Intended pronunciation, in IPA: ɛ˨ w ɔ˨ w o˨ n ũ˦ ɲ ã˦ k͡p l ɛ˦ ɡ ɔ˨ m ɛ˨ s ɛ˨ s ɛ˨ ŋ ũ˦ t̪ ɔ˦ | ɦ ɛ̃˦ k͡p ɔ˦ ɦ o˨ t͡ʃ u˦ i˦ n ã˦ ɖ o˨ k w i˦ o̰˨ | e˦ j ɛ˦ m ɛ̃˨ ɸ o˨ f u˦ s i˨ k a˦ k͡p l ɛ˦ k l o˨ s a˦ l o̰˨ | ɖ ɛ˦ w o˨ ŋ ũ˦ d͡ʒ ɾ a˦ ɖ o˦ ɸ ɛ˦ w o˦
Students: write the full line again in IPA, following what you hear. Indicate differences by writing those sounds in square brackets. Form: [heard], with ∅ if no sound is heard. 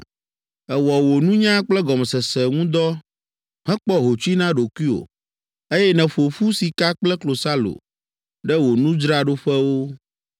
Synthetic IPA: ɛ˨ w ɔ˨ w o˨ n ũ˦ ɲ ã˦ k͡p l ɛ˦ ɡ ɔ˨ m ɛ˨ s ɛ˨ s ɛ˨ ŋ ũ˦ [d̪] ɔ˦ | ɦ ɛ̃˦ k͡p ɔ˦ ɦ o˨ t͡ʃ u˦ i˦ n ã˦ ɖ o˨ k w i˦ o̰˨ | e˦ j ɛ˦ [n] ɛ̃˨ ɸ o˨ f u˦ s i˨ k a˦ k͡p l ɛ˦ k l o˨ s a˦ l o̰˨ | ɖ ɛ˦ w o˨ [n] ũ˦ d͡ʒ ɾ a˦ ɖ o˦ ɸ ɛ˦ w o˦

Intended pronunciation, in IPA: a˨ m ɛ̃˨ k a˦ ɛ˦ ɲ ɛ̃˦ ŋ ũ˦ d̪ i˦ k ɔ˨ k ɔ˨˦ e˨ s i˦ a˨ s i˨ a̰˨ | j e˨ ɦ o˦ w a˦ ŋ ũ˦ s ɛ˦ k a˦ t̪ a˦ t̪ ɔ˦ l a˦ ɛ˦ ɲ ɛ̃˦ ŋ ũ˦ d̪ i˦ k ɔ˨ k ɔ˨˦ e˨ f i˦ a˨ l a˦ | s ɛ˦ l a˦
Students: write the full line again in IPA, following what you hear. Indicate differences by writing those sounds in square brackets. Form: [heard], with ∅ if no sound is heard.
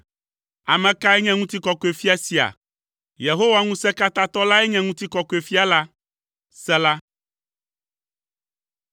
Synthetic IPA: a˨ m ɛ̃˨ k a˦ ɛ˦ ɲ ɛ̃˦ ŋ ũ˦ [t̪] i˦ k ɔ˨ k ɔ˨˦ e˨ [f] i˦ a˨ s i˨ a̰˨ | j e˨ ɦ o˦ w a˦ ŋ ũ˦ s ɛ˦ k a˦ t̪ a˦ t̪ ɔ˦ l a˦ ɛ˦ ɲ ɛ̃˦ ŋ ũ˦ [t̪] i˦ k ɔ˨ k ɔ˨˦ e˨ f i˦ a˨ l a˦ | s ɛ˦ l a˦

